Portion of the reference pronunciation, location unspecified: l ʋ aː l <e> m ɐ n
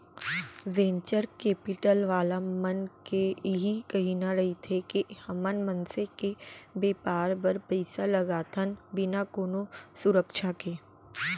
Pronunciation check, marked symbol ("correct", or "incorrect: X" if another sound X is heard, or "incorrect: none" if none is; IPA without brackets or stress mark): incorrect: a